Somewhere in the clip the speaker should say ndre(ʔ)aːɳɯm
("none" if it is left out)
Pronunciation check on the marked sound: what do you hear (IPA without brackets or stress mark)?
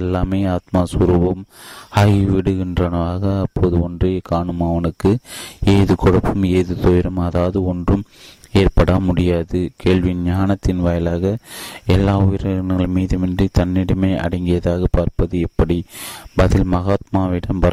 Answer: k